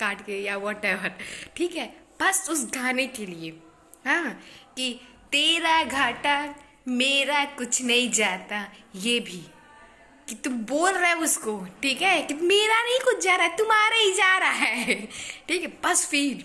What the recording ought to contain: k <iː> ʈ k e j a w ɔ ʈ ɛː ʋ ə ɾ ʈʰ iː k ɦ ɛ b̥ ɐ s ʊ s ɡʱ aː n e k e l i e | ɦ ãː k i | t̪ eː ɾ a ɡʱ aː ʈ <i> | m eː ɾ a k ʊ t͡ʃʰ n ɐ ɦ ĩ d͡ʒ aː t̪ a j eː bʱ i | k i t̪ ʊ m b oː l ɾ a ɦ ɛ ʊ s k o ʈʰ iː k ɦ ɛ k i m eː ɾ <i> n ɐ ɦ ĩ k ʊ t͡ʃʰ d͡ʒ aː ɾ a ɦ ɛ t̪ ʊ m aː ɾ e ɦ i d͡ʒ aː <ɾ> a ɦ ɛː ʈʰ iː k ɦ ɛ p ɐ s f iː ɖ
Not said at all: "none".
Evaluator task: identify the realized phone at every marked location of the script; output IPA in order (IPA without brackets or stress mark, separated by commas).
aː, a, a, ɾ